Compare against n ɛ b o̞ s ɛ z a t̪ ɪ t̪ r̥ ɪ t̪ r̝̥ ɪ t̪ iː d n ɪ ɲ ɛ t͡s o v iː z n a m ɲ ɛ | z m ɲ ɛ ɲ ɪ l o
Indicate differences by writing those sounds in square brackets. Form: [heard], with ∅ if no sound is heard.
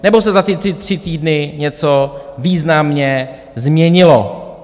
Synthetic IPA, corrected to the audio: n ɛ b o̞ s ɛ z a t̪ ɪ t̪ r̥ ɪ t̪ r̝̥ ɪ t̪ iː d n ɪ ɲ ɛ t͡s o v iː z n a m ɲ ɛ | z m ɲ ɛ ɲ ɪ l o